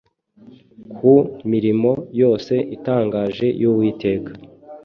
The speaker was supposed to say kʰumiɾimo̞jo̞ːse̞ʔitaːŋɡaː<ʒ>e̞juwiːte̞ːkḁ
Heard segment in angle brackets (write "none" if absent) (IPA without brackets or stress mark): ʒ